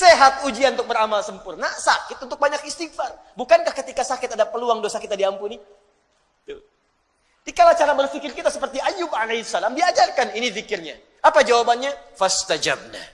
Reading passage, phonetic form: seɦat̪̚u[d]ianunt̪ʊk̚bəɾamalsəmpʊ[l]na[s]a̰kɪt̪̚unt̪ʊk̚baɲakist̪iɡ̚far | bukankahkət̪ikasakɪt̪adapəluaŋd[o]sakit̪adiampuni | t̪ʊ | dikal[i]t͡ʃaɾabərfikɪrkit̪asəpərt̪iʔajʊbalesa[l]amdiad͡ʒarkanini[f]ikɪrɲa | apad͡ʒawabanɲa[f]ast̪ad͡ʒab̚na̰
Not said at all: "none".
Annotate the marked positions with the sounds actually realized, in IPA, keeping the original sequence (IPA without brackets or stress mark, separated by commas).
d͡ʒ, r, s, o, a, l, f, f